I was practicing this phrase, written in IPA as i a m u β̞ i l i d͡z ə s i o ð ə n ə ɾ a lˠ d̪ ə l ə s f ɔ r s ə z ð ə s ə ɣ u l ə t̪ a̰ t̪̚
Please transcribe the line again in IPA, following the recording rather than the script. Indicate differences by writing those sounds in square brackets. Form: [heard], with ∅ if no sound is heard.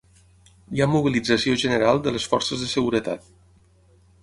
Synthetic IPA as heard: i a m u β̞ i l i d͡z ə s i o [ʒ] ə n ə ɾ a lˠ d̪ ə l ə s f ɔ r s ə z ð ə s ə ɣ u [ɾ] ə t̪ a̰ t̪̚